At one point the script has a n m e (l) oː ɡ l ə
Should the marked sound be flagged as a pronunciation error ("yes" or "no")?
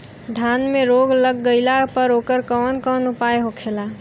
yes